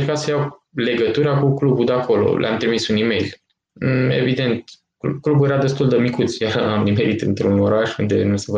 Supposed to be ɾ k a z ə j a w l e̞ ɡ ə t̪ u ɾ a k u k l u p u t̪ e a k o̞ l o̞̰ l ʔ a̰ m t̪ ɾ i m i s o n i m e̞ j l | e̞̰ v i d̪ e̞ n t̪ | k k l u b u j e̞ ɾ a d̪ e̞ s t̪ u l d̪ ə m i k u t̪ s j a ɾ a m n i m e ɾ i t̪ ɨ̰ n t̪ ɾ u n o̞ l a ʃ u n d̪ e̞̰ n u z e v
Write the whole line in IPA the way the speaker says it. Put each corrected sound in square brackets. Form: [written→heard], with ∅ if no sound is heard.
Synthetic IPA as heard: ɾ k a [z→s] ə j a w l e̞ ɡ ə t̪ u ɾ a k u k l u [p→b] u [t̪→d̪] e a k o̞ l o̞̰ l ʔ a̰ m t̪ ɾ i m i s [o→u] n i m e̞ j l | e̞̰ v i d̪ e̞ n t̪ | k k l u b u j e̞ ɾ a d̪ e̞ s t̪ u l d̪ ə m i k u t̪ s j a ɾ a m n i m e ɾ i t̪ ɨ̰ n t̪ ɾ u n o̞ [l→ɾ] a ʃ u n d̪ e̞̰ n u [z→s] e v